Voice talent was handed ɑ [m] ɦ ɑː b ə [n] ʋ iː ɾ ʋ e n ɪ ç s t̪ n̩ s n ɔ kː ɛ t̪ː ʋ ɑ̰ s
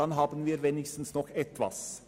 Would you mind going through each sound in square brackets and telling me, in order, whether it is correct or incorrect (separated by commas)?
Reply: incorrect, correct